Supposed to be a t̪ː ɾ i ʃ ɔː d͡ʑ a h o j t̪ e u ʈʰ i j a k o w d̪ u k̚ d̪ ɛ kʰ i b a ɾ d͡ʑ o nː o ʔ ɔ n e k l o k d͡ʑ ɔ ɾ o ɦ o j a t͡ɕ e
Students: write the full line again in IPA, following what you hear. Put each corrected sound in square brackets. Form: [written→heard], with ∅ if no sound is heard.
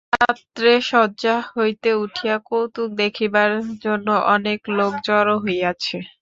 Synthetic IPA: a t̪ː ɾ [i→e] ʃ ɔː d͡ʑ a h o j t̪ e u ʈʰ i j a k o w [d̪→t̪] u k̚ d̪ [ɛ→e] kʰ i b a ɾ d͡ʑ o nː o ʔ ɔ n e k l o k d͡ʑ ɔ ɾ o ɦ o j a [t͡ɕ→t͡ɕʰ] e